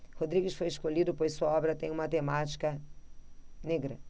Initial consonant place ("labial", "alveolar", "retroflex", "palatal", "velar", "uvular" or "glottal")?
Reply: glottal